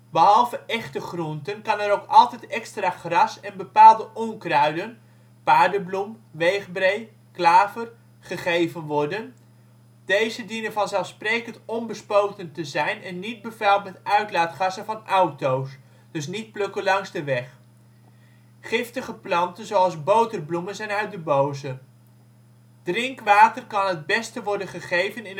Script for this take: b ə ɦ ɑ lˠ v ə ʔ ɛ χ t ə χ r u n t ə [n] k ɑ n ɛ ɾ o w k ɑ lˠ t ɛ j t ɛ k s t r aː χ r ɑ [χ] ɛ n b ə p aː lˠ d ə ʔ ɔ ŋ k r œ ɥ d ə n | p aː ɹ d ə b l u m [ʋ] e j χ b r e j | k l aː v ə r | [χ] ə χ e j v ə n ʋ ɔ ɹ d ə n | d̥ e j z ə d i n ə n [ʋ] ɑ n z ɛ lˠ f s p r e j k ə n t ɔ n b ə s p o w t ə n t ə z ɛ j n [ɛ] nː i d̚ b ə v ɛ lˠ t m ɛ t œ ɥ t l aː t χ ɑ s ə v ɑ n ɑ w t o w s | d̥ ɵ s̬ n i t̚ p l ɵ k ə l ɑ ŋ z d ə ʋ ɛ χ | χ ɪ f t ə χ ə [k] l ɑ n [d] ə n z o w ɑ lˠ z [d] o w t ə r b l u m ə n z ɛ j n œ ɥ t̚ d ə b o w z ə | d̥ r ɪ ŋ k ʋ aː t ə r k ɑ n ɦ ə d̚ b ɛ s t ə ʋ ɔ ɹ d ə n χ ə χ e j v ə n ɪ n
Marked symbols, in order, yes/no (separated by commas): yes, no, yes, yes, no, yes, no, no, no